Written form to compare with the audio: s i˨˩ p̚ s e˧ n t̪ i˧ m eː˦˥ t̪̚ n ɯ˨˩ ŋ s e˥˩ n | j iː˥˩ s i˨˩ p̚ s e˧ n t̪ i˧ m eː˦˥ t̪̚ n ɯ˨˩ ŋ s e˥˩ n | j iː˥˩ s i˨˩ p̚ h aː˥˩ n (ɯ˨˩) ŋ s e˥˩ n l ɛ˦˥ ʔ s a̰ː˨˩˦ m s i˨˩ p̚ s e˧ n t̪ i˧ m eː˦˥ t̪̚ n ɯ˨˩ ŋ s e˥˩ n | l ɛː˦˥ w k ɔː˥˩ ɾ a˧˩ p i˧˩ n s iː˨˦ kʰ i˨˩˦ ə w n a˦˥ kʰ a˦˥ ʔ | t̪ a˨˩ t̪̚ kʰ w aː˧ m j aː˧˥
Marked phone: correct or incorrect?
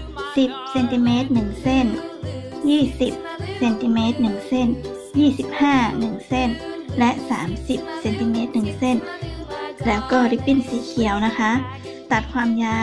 correct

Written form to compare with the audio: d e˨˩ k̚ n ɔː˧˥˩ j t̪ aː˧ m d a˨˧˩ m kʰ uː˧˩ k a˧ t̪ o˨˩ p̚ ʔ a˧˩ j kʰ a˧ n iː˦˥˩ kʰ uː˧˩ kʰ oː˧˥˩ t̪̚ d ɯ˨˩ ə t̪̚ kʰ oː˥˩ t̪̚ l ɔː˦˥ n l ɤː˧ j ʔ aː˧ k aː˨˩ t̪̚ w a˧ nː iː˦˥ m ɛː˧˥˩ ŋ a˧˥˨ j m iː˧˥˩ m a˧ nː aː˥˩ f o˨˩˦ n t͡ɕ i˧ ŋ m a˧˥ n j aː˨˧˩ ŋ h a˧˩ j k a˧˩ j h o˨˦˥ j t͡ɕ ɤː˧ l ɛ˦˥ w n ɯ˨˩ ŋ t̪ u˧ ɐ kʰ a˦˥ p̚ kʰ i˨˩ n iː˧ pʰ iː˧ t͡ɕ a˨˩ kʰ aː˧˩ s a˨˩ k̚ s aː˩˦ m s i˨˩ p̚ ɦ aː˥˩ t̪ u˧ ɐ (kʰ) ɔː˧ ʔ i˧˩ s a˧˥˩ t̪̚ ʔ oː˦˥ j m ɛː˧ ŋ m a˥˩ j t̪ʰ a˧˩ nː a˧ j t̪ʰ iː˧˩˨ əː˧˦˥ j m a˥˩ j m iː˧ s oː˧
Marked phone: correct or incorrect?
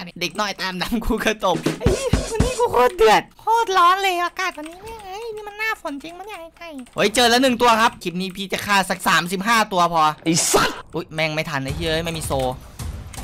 incorrect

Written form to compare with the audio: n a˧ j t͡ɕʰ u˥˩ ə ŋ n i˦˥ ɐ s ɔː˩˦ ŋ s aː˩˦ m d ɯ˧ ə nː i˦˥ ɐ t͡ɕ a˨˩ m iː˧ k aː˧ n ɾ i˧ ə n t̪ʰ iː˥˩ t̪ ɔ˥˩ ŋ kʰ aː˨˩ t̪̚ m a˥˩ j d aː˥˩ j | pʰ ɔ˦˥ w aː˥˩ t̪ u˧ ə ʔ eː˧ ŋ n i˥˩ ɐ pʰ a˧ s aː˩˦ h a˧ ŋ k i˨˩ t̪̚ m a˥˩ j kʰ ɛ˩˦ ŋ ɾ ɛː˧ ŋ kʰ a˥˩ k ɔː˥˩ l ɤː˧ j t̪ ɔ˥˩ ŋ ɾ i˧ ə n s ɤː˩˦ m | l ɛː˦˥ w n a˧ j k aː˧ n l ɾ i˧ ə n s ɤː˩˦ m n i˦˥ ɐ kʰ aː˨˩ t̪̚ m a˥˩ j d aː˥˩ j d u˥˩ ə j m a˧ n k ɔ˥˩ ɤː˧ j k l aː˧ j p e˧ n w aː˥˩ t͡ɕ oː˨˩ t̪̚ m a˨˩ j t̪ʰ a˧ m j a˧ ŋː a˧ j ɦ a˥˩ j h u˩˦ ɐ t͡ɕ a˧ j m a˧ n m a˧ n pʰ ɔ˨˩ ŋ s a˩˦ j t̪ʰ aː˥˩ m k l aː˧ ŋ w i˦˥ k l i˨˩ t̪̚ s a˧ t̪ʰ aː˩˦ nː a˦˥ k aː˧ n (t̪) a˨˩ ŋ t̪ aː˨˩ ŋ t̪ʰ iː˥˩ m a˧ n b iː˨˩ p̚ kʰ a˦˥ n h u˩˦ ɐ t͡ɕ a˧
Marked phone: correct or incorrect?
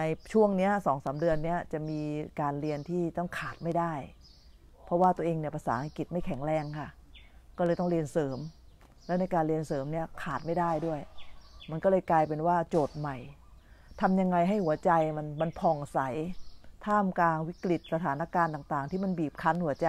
correct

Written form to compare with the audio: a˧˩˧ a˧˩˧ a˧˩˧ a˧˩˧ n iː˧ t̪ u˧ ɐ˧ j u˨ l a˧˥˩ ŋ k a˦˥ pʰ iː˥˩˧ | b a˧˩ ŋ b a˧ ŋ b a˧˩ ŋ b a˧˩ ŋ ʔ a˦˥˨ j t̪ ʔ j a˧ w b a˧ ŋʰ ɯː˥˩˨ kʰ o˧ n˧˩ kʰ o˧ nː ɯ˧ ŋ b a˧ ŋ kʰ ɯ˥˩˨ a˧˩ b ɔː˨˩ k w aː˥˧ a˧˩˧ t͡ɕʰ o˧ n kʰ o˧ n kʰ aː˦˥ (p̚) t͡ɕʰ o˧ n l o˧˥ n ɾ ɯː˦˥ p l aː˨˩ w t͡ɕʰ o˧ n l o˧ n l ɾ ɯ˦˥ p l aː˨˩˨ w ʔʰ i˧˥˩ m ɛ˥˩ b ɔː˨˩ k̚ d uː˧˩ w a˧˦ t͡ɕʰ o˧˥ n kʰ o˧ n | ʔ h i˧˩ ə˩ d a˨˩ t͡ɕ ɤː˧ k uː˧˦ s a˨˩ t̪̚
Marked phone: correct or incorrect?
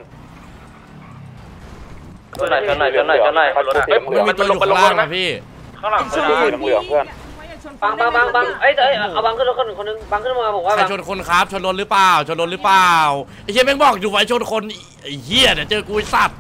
correct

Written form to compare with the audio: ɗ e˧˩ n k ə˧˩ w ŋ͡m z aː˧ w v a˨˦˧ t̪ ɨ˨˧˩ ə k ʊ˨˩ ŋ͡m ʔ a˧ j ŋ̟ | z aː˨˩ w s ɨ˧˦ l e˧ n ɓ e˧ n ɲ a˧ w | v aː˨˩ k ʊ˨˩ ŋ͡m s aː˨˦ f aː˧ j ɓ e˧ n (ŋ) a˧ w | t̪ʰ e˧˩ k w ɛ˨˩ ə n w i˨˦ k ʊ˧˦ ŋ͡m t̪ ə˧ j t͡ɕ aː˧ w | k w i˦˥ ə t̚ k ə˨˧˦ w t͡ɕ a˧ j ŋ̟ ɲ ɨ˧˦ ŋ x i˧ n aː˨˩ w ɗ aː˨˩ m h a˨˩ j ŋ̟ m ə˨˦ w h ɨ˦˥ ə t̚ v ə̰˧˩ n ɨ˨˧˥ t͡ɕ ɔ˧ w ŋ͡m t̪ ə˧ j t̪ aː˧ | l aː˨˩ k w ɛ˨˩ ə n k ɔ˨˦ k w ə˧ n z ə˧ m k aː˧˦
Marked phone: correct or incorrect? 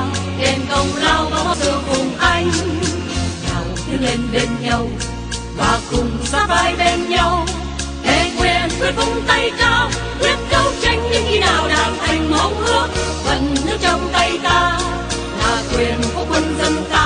incorrect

